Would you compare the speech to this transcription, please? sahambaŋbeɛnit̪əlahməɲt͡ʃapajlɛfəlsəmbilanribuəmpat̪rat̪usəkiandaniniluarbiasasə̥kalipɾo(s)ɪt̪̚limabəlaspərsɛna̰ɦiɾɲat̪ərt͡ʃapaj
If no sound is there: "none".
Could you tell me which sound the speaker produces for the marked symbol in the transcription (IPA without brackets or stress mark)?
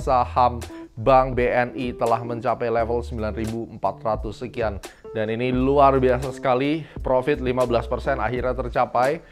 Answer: f